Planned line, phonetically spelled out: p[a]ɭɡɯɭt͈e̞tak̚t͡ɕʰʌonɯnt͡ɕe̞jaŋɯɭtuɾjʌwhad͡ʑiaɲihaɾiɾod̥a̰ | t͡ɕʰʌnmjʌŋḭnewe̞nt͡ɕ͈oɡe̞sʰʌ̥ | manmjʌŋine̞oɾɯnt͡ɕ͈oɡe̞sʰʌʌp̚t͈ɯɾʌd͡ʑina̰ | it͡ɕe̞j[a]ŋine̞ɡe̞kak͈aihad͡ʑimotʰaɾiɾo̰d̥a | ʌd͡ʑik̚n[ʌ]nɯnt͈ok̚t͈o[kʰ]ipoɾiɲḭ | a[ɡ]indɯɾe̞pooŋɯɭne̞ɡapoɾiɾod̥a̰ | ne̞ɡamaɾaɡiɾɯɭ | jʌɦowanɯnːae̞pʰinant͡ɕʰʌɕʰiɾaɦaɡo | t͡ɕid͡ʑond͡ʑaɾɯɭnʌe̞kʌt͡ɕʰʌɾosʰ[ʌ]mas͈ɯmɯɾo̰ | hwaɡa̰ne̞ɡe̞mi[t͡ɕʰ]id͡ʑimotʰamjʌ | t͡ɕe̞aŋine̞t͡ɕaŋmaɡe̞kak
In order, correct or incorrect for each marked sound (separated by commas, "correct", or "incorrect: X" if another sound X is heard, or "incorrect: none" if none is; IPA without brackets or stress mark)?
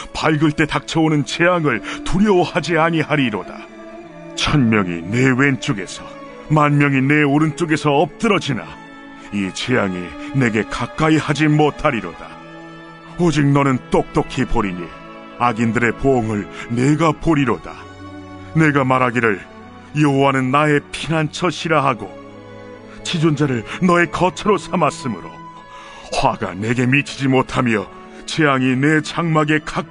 correct, correct, correct, correct, correct, incorrect: a, correct